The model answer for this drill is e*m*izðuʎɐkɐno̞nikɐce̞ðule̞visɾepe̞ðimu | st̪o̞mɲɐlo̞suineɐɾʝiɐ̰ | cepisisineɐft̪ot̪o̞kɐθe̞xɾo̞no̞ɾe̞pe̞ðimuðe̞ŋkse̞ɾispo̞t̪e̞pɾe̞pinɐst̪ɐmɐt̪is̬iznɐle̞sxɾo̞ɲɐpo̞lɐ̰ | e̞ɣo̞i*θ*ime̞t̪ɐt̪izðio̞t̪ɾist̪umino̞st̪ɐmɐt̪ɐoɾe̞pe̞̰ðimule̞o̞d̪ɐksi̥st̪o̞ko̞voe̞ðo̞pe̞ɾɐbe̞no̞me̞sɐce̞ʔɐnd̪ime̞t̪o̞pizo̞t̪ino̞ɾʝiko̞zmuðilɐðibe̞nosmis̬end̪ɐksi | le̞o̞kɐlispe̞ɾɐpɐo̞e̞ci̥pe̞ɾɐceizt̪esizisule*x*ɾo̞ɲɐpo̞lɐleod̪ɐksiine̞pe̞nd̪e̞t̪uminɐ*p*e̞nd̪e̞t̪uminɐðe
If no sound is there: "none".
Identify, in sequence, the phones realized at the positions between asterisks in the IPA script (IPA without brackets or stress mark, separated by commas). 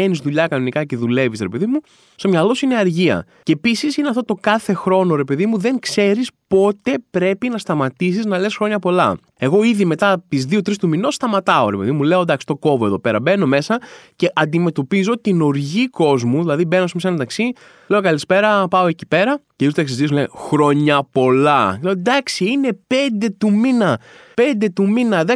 n, ð, x, p